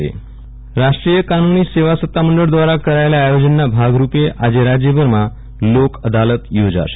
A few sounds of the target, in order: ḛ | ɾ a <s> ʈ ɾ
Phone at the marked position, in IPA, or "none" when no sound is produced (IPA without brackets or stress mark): ʂ